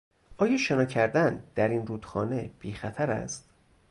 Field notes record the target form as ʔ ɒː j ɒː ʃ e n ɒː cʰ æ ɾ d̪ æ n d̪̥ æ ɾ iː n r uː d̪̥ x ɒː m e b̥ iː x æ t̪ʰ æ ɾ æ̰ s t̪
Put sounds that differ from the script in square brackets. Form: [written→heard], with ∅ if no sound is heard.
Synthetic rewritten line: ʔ ɒː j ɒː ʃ e n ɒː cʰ æ ɾ d̪ æ n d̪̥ æ ɾ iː n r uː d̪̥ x ɒː [m→n] e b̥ iː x æ t̪ʰ æ ɾ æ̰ s t̪